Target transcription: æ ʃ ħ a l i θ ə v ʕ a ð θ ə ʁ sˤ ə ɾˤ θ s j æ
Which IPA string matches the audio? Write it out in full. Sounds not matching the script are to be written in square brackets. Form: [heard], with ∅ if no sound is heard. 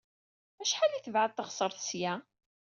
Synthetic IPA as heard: æ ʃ ħ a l i θ ə v ʕ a ð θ ə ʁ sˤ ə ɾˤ θ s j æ

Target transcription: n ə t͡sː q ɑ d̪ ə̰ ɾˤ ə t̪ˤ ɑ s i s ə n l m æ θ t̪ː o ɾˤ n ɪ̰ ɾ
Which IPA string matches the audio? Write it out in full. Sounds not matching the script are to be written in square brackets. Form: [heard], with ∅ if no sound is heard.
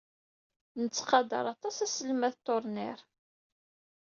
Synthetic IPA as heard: n ə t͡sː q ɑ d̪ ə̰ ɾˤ [ɑ] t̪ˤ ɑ s [æ] s ə [∅] l m æ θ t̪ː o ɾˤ n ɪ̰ ɾ

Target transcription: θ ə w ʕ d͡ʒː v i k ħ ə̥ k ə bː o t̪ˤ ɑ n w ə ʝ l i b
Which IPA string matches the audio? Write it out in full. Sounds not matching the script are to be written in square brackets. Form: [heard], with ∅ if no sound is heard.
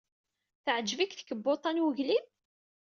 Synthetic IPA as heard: θ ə [∅] ʕ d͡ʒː v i k [θ] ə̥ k ə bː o t̪ˤ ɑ n w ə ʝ l i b

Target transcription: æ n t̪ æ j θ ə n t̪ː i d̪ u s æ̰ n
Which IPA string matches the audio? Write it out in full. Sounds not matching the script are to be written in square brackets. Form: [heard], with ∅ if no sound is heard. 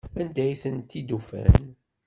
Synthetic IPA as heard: æ n [d̪] æ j θ ə n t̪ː i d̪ u [f] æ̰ n

